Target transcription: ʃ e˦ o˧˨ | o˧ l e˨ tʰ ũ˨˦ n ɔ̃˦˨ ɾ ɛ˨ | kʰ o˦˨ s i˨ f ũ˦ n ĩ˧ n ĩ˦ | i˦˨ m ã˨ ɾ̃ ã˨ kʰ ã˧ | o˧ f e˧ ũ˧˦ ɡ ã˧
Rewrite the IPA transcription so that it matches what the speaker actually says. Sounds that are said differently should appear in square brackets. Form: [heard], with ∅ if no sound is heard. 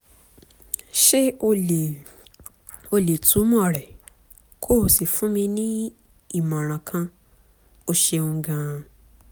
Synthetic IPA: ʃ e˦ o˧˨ | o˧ l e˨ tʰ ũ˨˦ [m] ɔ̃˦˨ ɾ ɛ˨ | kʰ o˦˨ s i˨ f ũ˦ [m] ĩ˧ n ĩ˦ | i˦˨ m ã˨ ɾ̃ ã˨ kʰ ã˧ | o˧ [ʃ] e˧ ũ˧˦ ɡ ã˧